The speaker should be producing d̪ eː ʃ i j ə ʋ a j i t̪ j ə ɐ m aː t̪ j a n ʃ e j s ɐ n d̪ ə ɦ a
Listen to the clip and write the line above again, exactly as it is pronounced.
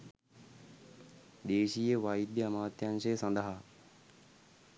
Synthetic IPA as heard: d̪ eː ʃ i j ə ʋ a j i d̪ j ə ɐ m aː t̪ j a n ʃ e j s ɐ n d̪ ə ɦ a